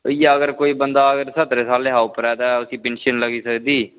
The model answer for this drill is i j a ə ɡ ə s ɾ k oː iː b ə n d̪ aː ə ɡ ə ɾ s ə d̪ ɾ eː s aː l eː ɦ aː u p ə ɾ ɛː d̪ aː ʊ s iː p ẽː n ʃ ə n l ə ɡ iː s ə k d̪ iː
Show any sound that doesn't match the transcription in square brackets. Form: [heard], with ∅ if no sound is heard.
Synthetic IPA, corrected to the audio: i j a ə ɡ ə [∅] ɾ k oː iː b ə n d̪ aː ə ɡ ə ɾ s ə [t̪] ɾ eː s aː l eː ɦ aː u p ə ɾ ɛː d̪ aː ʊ s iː p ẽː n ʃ ə n l ə ɡ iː s ə k d̪ iː